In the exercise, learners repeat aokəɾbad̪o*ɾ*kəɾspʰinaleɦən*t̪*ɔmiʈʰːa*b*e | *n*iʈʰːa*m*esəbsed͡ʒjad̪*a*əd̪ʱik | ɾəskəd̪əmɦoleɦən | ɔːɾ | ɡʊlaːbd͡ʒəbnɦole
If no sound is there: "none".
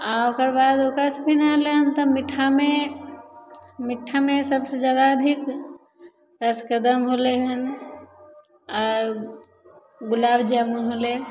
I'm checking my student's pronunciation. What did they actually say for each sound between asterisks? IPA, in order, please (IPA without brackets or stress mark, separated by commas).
none, t̪, m, m, m, a